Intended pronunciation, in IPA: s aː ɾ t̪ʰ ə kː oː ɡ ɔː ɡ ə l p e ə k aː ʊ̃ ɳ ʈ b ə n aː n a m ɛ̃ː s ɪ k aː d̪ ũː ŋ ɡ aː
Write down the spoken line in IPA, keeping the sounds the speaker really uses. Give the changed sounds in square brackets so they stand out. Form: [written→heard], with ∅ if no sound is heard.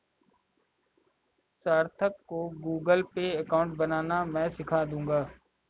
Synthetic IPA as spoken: s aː ɾ t̪ʰ ə kː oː ɡ [ɔː→uː] ɡ ə l p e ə k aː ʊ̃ ɳ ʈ b ə n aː n a m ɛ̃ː s ɪ [k→kʰ] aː d̪ ũː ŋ ɡ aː